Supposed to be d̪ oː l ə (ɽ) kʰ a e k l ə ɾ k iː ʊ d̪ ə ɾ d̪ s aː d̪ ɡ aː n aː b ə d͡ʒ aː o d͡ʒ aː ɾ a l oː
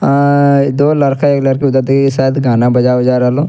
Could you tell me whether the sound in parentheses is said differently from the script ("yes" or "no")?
yes